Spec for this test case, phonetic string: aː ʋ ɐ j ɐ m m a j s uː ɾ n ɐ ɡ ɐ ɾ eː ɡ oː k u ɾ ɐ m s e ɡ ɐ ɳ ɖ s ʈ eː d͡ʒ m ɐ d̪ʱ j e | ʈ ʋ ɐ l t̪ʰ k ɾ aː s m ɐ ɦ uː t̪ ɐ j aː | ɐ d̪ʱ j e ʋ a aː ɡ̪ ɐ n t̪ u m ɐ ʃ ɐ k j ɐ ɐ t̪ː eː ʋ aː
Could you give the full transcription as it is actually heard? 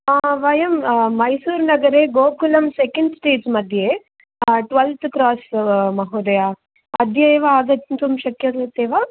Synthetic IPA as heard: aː ʋ ɐ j ɐ m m ɐ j s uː ɾ n ɐ ɡ ɐ ɾ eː ɡ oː k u l ɐ m s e k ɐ ɳ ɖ s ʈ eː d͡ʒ m ɐ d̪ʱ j e | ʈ ʋ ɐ l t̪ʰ k ɾ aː s m ɐ ɦ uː d̪ ɐ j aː | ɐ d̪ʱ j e ʋ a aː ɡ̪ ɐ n t̪ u m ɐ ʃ ɐ k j ɐ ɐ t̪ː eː ʋ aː